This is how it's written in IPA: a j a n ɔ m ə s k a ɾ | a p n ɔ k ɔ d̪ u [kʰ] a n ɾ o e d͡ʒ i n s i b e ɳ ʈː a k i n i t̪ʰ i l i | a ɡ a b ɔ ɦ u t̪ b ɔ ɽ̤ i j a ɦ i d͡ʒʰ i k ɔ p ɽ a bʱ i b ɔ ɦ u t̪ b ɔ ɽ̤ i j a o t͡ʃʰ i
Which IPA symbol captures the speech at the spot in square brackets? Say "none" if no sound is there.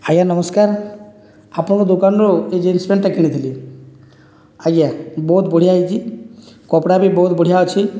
k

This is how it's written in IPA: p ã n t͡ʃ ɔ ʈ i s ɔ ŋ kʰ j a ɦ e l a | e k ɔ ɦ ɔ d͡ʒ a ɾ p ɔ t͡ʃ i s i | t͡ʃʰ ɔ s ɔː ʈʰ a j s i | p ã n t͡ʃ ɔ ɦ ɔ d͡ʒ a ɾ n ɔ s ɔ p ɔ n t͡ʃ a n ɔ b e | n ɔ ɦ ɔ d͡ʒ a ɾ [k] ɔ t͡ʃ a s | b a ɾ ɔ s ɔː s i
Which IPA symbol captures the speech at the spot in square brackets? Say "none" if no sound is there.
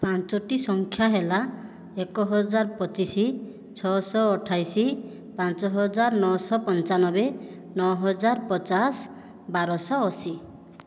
p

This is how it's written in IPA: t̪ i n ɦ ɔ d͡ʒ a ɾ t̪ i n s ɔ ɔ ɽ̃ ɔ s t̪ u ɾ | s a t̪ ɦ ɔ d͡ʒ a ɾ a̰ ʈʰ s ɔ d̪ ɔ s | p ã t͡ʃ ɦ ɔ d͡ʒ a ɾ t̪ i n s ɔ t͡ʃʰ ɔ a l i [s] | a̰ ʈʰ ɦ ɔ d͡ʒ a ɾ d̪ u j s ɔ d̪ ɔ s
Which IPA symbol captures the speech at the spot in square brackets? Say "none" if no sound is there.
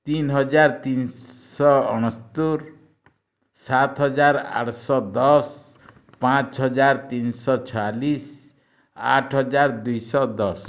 s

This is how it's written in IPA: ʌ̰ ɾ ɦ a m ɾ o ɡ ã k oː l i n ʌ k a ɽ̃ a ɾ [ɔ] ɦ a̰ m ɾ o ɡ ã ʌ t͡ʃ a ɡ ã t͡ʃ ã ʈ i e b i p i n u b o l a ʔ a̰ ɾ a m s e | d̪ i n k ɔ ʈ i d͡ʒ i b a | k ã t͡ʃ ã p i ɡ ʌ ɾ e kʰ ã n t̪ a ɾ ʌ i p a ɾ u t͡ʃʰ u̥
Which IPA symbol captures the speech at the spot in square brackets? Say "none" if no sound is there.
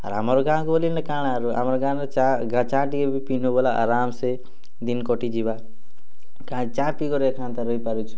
u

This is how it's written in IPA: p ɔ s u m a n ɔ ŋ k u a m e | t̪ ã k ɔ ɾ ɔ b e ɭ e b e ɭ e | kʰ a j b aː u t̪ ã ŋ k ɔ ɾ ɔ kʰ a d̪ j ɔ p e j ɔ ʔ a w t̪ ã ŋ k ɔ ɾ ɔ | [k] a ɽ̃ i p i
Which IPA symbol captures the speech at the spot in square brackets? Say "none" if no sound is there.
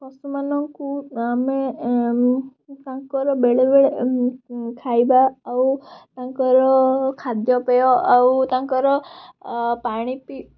p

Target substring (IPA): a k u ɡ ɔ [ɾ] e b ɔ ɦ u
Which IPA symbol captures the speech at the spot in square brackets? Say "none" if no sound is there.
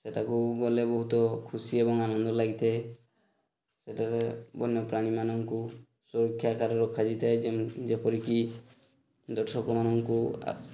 l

